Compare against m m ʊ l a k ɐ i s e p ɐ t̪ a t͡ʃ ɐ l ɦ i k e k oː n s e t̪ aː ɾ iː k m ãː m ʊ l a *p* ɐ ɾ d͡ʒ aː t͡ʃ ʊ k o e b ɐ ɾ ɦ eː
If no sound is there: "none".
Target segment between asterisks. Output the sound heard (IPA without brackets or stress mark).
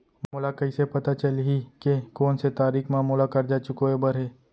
k